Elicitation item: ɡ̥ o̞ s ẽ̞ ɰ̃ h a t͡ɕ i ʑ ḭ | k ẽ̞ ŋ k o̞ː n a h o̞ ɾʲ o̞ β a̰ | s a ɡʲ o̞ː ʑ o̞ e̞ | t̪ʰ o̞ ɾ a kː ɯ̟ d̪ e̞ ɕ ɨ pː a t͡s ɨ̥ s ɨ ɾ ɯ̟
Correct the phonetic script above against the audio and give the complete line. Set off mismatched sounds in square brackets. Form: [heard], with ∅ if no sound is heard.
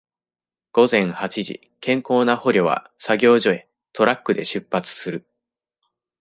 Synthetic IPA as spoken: ɡ̥ o̞ [z] ẽ̞ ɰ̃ h a t͡ɕ i ʑ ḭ | k ẽ̞ ŋ k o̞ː n a h o̞ ɾʲ o̞ β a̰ | s a ɡʲ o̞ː ʑ o̞ e̞ | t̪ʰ o̞ ɾ a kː ɯ̟ d̪ e̞ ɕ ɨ pː a t͡s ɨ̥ s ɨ ɾ ɯ̟